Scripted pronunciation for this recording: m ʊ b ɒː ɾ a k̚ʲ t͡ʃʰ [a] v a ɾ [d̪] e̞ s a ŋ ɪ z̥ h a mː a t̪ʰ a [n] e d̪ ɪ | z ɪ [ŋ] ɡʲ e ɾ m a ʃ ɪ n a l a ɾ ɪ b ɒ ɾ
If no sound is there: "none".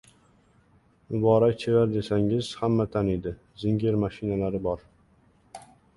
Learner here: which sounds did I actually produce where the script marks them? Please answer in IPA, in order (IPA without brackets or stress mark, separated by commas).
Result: e, d̪, n, ŋ